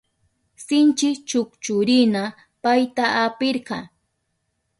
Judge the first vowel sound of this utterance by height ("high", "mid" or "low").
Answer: high